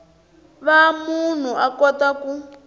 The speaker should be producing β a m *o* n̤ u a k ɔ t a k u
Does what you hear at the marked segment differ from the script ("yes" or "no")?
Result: yes